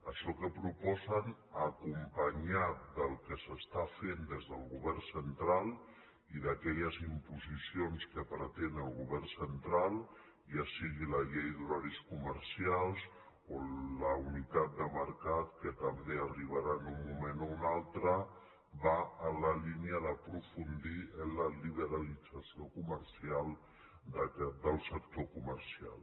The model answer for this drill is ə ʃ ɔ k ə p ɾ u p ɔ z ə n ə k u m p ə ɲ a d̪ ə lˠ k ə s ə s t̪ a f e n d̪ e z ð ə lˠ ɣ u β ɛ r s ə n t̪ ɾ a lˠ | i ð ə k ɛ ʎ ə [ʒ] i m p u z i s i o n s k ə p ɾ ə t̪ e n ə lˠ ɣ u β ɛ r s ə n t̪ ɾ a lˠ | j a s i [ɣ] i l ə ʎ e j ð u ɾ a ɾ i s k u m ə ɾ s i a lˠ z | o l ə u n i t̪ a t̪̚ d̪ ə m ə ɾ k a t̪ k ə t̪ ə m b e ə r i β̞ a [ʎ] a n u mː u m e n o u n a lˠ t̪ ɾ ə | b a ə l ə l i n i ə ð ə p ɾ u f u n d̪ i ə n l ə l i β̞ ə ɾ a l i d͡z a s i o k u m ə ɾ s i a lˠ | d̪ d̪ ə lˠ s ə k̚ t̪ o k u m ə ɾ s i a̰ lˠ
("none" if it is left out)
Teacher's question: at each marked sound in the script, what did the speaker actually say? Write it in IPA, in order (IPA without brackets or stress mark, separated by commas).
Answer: z, ɣ, ɾ